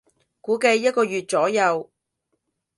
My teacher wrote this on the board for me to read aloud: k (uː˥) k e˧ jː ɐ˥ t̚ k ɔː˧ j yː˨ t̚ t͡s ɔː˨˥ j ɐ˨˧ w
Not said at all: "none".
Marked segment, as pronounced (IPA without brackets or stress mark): uː˨˥